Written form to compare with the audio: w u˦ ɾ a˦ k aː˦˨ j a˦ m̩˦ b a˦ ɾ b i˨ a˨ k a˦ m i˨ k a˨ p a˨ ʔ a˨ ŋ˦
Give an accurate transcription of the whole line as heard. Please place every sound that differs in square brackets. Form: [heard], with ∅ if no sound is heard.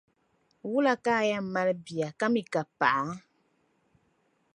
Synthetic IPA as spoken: w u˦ [l] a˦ k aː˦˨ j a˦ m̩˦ [m] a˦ [l] b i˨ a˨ k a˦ m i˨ k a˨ p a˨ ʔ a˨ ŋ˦